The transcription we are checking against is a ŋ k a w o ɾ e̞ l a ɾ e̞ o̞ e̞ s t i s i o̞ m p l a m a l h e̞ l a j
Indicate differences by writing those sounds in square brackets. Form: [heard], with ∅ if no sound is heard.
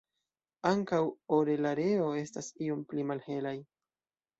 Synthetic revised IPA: a ŋ k a w o ɾ e̞ l a ɾ e̞ o̞ e̞ s t [a] s i o̞ m p l [i] m a l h e̞ l a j